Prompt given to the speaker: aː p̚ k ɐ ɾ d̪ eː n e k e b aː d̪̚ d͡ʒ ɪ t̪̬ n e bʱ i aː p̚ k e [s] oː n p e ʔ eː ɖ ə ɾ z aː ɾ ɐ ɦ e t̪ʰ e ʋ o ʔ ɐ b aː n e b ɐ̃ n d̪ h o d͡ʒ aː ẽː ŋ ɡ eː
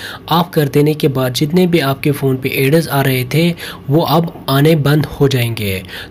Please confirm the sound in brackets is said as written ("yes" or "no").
no